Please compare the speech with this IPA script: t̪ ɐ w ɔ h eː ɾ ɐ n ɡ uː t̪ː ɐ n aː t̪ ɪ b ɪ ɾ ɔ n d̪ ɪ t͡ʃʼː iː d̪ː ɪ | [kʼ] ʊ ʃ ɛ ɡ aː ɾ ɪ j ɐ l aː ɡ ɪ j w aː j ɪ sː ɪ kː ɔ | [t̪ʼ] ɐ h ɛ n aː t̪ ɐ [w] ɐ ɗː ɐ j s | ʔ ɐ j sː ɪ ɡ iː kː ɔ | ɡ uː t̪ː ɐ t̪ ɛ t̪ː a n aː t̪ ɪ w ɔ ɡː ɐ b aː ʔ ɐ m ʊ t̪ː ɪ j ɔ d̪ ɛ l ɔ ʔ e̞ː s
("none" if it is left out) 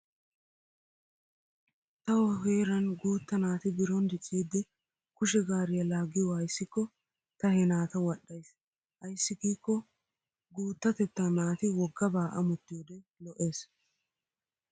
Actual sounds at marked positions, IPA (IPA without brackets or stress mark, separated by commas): k, t̪, w